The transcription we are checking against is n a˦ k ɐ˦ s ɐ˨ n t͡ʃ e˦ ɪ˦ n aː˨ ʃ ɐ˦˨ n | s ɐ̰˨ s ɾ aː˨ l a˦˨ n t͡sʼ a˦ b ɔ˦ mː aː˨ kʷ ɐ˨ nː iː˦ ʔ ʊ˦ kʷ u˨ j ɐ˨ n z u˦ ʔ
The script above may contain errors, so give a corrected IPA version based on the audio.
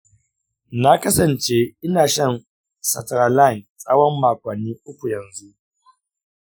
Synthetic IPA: n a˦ k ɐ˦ s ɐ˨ n t͡ʃ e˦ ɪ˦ n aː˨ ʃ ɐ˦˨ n | s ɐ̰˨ t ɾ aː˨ l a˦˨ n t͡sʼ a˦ w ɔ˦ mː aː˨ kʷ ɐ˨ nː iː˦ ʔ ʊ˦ kʷ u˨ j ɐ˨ n z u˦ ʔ